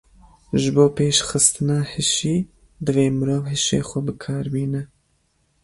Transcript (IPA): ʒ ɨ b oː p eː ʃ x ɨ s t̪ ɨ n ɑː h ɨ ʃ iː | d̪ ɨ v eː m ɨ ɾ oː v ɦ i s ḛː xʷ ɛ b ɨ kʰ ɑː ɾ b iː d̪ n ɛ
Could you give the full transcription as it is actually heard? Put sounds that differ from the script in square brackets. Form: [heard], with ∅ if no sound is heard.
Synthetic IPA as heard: ʒ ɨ b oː p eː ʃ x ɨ s t̪ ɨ n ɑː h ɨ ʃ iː | d̪ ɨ v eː m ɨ ɾ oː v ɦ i [ʃ] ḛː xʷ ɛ b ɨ kʰ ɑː ɾ b iː [∅] n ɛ